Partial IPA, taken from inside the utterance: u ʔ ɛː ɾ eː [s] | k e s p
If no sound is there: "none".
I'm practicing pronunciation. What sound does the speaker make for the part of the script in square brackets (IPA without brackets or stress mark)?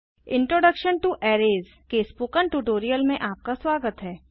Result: z